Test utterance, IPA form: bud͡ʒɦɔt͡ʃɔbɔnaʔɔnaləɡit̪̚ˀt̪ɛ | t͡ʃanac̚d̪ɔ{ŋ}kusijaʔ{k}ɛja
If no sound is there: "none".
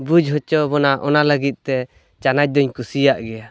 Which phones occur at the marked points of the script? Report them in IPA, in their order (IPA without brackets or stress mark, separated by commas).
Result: ɲ, ɡ